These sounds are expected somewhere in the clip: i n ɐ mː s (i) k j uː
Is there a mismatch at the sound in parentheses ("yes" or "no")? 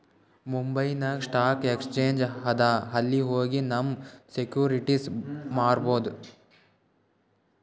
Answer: yes